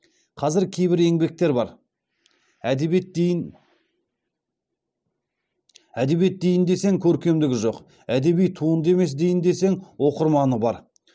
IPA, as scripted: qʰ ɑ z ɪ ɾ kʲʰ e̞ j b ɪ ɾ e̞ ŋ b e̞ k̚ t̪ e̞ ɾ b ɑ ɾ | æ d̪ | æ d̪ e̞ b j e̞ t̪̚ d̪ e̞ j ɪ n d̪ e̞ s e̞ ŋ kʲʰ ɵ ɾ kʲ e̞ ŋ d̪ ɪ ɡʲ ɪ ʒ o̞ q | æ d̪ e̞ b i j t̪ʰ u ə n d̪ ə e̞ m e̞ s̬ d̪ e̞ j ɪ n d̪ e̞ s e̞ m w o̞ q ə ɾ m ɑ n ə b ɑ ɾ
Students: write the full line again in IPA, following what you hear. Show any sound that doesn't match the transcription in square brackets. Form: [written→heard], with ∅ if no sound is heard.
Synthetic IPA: qʰ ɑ z ɪ ɾ kʲʰ e̞ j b ɪ ɾ e̞ ŋ b e̞ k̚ t̪ e̞ ɾ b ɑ ɾ | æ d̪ | æ d̪ e̞ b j e̞ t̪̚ d̪ e̞ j ɪ n d̪ e̞ s e̞ ŋ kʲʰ ɵ ɾ kʲ e̞ [ŋ→m] d̪ ɪ ɡʲ ɪ ʒ o̞ q | æ d̪ e̞ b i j t̪ʰ u ə n d̪ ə e̞ m e̞ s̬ d̪ e̞ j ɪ n d̪ e̞ s e̞ [m→ŋ] w o̞ q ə ɾ m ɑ n ə b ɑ ɾ

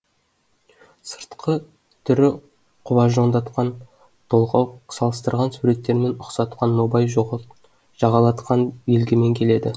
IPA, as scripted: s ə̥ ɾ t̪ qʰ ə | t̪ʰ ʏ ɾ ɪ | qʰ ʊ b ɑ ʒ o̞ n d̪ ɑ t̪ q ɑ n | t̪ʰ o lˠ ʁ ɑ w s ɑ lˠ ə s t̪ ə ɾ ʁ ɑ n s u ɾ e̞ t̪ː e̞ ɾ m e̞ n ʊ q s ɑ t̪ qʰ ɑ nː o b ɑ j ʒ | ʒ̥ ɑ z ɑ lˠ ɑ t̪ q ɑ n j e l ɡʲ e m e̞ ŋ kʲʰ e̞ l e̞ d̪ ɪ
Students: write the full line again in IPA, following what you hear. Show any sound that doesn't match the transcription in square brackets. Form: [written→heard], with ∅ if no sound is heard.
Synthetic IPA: s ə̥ ɾ t̪ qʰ ə | t̪ʰ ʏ ɾ ɪ | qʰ ʊ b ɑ ʒ o̞ n d̪ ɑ t̪ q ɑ n | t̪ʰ o lˠ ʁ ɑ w s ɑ lˠ ə s t̪ ə ɾ ʁ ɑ n s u ɾ e̞ t̪ː e̞ ɾ m e̞ n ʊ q s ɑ t̪ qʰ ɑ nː o b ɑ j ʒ | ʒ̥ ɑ [z→ʁ] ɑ lˠ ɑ t̪ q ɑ n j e l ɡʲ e m e̞ ŋ kʲʰ e̞ l e̞ d̪ ɪ

